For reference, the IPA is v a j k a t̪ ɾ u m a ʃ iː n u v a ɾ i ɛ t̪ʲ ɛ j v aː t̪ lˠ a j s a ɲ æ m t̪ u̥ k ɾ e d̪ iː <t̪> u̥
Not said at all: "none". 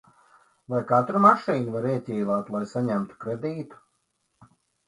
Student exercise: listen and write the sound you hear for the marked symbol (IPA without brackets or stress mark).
t̪